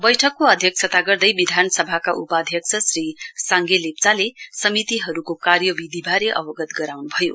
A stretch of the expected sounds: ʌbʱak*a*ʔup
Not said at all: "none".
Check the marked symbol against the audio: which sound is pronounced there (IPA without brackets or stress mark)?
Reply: a